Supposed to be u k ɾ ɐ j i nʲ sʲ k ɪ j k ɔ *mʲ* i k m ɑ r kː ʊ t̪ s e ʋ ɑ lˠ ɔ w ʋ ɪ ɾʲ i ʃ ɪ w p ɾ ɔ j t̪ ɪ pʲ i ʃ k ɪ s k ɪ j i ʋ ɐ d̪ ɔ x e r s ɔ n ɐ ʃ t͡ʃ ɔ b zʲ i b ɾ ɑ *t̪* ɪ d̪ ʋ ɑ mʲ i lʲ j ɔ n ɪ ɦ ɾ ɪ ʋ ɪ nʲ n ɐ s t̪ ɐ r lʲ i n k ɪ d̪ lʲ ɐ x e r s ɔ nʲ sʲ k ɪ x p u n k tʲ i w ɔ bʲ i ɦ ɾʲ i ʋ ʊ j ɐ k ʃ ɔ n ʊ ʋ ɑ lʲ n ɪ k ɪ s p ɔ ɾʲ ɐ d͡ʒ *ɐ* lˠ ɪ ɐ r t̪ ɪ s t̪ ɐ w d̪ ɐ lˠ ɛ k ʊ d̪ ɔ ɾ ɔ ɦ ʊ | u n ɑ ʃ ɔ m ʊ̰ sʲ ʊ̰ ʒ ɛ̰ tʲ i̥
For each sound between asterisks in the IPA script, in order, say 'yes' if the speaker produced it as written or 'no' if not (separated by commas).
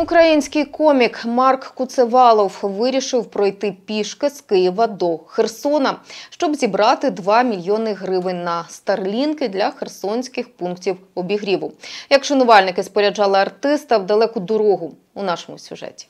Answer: yes, yes, no